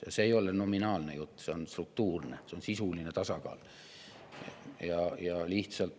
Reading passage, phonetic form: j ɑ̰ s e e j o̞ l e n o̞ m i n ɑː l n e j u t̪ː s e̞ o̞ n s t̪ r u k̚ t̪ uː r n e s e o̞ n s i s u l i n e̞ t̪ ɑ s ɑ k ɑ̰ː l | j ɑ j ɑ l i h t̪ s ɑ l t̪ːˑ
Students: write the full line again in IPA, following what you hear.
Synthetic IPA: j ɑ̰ s e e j o̞ l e n o̞ m i n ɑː l n e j u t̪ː s e̞ o̞ n s t̪ r u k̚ t̪ uː r n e s e o̞ n s i s u l i n e̞ t̪ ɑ s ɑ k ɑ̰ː l | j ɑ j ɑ l i h t̪ s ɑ l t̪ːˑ